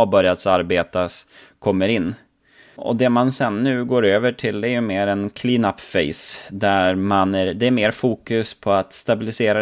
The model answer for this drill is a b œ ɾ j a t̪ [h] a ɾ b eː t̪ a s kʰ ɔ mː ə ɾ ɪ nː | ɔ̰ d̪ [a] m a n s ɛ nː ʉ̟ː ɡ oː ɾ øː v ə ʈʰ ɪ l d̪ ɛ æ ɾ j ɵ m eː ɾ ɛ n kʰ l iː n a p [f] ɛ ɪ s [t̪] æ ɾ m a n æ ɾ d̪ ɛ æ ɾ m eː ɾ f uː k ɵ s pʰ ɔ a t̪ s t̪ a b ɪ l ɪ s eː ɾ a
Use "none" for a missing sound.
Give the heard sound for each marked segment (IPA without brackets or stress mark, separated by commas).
s, ɛ, f, d̪